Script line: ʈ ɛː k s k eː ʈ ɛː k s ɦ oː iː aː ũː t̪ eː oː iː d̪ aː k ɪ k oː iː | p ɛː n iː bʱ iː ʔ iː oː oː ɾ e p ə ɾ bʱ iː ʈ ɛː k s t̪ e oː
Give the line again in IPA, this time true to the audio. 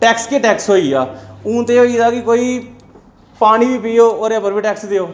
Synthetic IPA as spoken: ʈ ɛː k s k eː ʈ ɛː k s ɦ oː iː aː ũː t̪ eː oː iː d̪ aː k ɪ k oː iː | p aː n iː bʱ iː p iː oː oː ɾ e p ə ɾ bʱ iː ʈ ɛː k s d̪ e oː